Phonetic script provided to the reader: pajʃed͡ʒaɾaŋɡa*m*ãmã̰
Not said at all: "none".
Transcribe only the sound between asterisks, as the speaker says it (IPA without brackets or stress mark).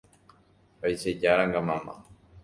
m